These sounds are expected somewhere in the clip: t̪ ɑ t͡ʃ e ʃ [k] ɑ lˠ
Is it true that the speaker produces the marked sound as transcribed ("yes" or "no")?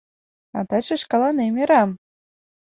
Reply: yes